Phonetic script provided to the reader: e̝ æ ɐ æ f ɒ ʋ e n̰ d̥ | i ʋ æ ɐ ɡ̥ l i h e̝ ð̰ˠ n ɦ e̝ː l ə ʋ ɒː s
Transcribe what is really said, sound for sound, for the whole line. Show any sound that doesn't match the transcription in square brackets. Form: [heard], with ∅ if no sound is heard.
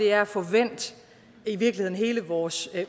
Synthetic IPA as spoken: e̝ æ ɐ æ f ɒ ʋ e n̰ d̥ | i ʋ [i] ɐ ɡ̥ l i h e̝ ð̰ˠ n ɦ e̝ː l ə ʋ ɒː s